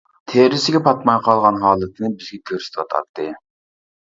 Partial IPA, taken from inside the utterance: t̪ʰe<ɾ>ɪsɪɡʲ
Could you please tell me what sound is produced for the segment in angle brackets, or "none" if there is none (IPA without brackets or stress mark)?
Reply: ɾ